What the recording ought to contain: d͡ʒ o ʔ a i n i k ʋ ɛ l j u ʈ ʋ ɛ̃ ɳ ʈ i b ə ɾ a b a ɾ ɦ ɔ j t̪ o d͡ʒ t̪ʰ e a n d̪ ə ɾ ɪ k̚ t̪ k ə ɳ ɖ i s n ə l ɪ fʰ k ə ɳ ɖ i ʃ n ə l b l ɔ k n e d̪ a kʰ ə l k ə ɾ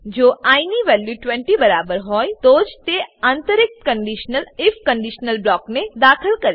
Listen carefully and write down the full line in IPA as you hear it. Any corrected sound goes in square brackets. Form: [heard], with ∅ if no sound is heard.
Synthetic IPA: d͡ʒ o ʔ a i n i [∅] ʋ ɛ l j u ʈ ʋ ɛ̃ ɳ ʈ i b ə ɾ a b [ə] ɾ ɦ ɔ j t̪ o d͡ʒ [t̪] e a n [t̪] ə ɾ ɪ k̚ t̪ k ə ɳ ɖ i [ʃ] n ə l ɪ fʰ k ə ɳ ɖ i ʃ n ə l b l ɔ k n e d̪ a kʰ ə l k ə ɾ

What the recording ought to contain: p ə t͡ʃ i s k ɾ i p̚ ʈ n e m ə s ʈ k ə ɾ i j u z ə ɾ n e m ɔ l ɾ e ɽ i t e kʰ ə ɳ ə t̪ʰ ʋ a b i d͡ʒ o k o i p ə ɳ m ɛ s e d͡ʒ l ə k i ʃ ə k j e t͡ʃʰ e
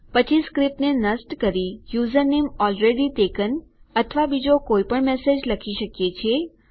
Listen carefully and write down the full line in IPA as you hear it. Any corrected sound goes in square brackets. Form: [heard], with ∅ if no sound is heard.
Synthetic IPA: p ə t͡ʃ i s k ɾ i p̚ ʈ n e [n] ə s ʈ k ə ɾ i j u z ə ɾ n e m ɔ l ɾ e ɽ i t e [k] ə [n] ə t̪ʰ ʋ a b i d͡ʒ o k o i p ə ɳ m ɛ s e d͡ʒ l ə [kʰ] i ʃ ə k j e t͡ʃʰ e

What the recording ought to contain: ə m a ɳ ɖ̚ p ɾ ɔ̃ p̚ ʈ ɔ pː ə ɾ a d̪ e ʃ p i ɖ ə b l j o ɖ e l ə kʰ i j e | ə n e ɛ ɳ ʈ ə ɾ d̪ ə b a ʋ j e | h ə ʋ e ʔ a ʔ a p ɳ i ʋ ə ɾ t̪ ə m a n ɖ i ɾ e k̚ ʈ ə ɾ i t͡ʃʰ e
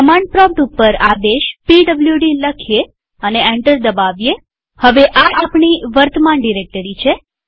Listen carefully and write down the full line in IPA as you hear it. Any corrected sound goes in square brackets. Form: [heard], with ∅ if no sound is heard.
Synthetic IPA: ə m a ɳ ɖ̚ p ɾ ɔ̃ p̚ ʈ [u] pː ə ɾ a d̪ e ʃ p i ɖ ə b l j [u] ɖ [i] l ə kʰ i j e | ə n e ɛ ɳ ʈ ə ɾ d̪ ə b a ʋ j e | h ə ʋ e ʔ a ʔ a p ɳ i ʋ ə ɾ t̪ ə m a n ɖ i ɾ e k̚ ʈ ə ɾ i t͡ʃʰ e

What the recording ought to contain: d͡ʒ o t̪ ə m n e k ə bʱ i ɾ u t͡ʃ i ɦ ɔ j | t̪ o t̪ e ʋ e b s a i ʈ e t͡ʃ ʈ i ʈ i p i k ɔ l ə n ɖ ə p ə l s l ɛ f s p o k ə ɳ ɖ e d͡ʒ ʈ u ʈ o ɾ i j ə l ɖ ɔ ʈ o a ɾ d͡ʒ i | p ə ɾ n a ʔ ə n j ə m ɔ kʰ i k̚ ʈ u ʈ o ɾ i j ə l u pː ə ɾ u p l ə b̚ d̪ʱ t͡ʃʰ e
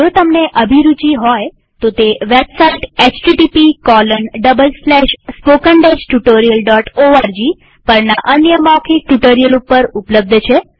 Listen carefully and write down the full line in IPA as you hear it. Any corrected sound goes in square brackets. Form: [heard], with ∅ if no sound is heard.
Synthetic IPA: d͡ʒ o t̪ ə m n e [ʔ] ə bʱ i ɾ u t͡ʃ i ɦ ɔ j | t̪ o t̪ e ʋ e b s a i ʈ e t͡ʃ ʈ i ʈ i p i k ɔ l ə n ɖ ə [b] ə l s l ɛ [ʃ] s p o k ə ɳ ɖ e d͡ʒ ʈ u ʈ o ɾ i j ə l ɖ ɔ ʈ o a ɾ d͡ʒ i | p ə ɾ n a ʔ ə n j ə m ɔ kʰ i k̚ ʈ u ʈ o ɾ i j ə l u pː ə ɾ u p l ə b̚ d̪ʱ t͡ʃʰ e

